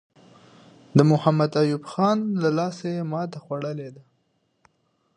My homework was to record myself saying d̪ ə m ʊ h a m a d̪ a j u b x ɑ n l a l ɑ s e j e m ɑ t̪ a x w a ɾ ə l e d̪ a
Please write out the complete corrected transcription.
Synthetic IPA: d̪ ə m ʊ h a m a d̪ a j u b x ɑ n l a l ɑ s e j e m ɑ t̪ a x w a ɽ ə l e d̪ a